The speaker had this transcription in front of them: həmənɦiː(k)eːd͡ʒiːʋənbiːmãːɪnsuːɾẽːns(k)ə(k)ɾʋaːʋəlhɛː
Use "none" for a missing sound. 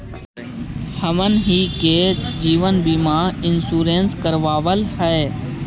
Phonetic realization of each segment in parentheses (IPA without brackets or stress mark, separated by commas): k, k, none